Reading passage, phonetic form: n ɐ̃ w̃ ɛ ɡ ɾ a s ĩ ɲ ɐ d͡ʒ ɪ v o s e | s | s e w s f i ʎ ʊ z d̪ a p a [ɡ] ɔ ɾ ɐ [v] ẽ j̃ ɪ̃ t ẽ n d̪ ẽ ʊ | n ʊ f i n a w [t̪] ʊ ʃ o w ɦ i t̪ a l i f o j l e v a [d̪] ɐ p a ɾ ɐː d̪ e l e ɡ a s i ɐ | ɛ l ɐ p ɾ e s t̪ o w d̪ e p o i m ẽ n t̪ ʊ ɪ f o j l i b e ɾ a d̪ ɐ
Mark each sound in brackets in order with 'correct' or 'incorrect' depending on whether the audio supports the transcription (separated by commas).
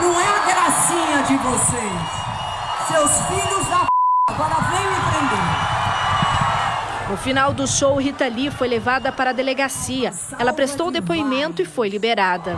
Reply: correct, correct, incorrect, correct